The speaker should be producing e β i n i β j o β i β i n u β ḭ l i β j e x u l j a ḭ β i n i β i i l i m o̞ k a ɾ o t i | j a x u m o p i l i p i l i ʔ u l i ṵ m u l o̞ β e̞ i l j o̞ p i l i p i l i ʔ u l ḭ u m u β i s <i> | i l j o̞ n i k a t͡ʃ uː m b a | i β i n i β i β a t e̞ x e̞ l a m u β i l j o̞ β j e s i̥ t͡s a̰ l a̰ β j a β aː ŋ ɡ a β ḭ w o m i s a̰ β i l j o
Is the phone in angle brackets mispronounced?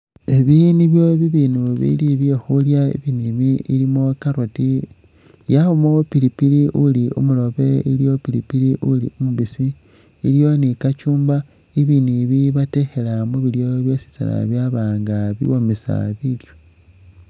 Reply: no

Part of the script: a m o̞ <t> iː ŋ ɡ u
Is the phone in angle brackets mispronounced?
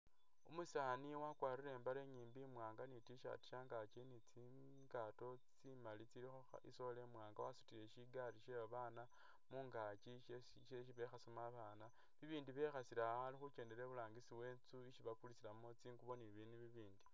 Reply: yes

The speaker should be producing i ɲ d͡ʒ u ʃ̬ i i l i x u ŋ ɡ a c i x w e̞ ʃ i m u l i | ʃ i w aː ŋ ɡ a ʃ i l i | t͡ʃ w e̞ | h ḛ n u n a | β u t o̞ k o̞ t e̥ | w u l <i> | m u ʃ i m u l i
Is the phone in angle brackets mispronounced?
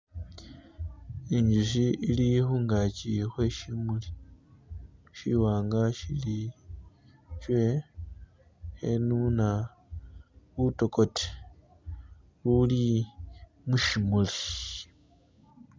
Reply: no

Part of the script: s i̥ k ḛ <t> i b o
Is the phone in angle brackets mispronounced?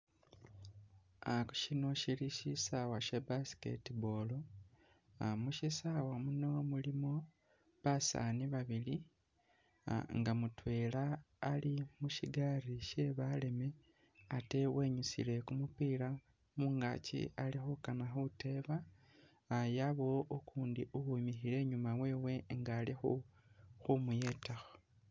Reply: no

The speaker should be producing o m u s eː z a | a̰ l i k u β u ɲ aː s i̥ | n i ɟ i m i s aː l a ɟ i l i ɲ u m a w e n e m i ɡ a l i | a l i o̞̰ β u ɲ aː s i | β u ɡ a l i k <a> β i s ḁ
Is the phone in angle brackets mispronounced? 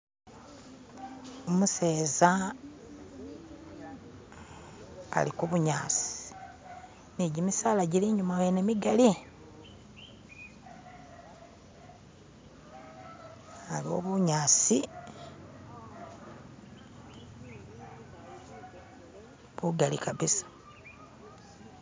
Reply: no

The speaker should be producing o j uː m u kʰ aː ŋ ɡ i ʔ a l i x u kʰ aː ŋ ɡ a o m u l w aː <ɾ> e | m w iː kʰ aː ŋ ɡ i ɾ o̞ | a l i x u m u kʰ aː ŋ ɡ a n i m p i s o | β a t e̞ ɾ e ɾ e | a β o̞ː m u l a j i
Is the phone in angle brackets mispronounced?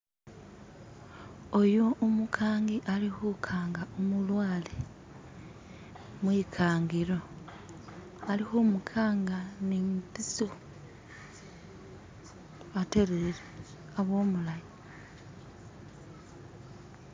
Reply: yes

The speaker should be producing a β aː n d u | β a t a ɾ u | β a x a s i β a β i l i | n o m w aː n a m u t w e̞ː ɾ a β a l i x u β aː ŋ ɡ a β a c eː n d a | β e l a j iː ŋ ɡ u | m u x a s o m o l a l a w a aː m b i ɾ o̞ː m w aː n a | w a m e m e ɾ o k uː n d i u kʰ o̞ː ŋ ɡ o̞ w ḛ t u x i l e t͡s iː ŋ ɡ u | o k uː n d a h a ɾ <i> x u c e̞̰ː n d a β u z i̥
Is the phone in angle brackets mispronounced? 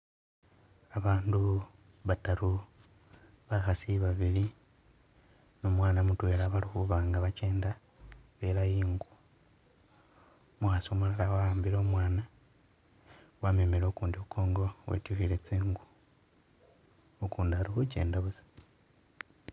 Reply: no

